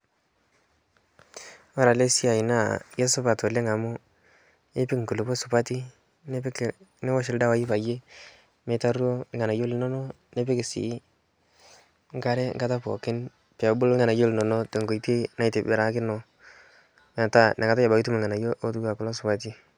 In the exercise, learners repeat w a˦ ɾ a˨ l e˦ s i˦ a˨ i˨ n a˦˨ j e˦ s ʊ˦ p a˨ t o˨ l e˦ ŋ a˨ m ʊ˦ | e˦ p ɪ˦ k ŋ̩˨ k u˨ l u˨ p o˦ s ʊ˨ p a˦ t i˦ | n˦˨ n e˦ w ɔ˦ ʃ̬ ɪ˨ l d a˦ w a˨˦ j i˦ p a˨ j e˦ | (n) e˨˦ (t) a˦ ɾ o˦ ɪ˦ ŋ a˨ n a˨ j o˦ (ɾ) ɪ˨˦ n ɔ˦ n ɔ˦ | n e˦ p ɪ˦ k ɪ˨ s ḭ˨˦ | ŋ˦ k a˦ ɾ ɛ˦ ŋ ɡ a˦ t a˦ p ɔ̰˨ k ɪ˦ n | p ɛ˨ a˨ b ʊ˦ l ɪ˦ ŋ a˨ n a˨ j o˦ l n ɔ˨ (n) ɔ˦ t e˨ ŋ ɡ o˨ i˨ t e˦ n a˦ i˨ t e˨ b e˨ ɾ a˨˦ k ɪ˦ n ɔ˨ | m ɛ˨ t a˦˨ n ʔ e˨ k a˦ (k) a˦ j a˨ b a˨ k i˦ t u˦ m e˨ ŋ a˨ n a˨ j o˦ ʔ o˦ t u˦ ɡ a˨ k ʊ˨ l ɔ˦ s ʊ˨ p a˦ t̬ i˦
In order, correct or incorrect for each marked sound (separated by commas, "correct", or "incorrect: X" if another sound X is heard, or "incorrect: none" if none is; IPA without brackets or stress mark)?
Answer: incorrect: m, correct, incorrect: l, correct, incorrect: t